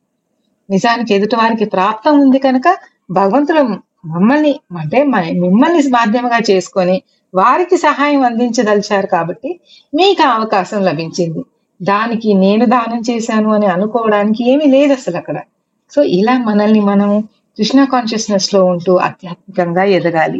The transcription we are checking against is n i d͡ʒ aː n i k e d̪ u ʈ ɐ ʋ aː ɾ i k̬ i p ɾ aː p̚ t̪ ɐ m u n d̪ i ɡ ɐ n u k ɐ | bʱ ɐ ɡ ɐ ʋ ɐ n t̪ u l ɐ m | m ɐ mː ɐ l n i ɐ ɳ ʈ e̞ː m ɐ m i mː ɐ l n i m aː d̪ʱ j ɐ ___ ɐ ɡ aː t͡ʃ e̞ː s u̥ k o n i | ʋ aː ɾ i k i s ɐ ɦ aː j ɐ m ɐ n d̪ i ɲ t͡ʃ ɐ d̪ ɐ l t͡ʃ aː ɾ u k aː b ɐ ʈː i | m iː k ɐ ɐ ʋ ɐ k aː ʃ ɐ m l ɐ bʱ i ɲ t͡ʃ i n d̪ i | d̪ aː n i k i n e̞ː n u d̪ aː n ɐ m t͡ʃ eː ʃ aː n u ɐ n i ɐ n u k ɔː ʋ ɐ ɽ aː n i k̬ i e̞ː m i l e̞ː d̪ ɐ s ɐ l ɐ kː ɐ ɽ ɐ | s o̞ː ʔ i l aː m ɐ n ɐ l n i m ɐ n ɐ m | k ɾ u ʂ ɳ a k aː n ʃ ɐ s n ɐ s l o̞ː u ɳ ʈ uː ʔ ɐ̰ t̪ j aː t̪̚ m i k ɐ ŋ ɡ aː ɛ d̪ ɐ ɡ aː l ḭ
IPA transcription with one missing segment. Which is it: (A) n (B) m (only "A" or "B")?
B